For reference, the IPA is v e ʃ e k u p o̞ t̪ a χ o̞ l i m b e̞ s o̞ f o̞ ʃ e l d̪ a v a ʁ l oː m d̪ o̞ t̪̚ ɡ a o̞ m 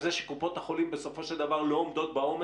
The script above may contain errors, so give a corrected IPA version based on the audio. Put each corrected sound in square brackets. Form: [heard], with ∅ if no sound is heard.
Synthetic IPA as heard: [z] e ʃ e k u p o̞ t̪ a χ o̞ l i m b e̞ s o̞ f o̞ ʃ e l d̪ a v a ʁ l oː m d̪ o̞ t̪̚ [b] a o̞ m